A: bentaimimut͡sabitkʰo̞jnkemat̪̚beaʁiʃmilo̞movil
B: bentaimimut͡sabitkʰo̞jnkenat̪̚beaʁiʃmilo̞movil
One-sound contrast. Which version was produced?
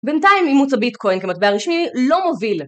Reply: A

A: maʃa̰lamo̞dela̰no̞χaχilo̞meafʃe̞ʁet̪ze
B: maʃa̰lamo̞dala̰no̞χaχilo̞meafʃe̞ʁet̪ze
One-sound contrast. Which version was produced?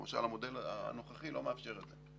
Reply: A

